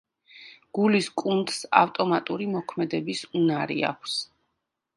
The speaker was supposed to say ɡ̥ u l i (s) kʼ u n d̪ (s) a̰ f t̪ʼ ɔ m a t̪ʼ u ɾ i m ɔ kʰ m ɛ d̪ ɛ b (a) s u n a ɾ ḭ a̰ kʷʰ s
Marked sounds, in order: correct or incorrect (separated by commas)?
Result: correct, correct, incorrect